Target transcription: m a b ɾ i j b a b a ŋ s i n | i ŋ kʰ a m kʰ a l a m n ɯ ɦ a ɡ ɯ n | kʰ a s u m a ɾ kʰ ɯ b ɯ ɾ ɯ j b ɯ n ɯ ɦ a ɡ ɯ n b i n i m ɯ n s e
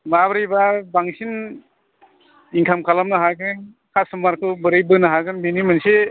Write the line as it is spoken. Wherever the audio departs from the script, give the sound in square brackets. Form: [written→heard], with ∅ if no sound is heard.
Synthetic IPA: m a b ɾ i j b a b a ŋ s i n | i ŋ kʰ a m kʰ a l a m n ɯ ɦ a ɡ ɯ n | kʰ a s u m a ɾ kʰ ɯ b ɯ ɾ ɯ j b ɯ n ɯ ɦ a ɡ ɯ n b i n i m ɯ n s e